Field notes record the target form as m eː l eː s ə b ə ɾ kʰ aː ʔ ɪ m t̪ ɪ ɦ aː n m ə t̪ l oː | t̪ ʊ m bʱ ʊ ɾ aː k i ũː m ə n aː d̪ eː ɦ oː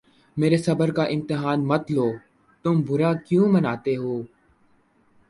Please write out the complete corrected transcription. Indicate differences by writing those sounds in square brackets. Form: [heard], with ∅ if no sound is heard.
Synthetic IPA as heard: m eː [ɾ] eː s ə b ə ɾ [k] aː ʔ ɪ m t̪ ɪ ɦ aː n m ə t̪ l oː | t̪ ʊ m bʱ ʊ ɾ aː k [j] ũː m ə n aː [t̪] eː ɦ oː